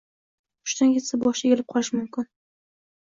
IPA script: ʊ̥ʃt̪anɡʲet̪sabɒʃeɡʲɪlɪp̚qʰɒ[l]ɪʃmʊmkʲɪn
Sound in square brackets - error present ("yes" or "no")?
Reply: no